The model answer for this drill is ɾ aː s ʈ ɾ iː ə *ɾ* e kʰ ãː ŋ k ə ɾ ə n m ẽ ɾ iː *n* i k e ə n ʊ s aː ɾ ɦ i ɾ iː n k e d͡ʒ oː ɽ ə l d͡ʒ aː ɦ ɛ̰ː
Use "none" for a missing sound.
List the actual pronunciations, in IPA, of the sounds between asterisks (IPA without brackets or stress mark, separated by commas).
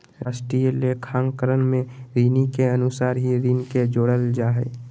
l, n